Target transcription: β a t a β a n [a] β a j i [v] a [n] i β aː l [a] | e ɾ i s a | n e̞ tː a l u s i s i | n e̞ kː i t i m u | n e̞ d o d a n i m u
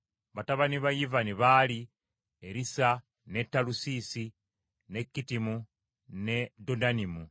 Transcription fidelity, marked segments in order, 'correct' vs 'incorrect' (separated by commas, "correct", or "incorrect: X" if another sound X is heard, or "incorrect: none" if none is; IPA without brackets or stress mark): incorrect: i, correct, correct, incorrect: i